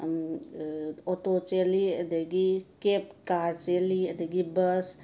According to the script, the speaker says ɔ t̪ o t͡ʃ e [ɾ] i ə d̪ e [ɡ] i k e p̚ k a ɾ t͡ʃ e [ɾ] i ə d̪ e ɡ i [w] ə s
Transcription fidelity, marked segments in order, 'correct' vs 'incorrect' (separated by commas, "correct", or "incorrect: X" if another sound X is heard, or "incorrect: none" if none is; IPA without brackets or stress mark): incorrect: l, correct, incorrect: l, incorrect: b